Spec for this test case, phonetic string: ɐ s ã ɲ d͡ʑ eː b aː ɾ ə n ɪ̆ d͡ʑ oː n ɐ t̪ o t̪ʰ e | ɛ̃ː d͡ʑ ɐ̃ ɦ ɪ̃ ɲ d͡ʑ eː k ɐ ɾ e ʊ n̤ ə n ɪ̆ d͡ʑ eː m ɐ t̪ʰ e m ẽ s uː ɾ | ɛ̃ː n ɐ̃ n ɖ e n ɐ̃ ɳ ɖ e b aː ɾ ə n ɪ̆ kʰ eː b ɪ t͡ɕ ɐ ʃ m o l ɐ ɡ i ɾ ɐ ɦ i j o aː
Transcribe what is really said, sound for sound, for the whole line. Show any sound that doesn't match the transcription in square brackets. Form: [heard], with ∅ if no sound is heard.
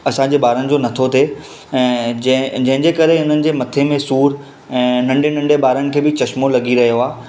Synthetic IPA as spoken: ɐ s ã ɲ d͡ʑ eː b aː ɾ ə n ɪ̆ d͡ʑ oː n ɐ [t̪ʰ] o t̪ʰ e | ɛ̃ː d͡ʑ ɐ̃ ɦ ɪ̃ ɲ d͡ʑ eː k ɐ ɾ e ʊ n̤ ə n ɪ̆ d͡ʑ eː m ɐ t̪ʰ e m ẽ s uː ɾ | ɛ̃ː n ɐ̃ [ɳ] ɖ e n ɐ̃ ɳ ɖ e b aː ɾ ə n ɪ̆ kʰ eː b ɪ t͡ɕ ɐ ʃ m o l ɐ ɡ i ɾ ɐ ɦ i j o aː